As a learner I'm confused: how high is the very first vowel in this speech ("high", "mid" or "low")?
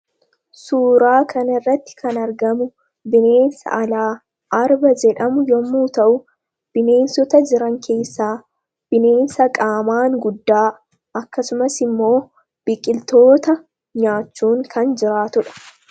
high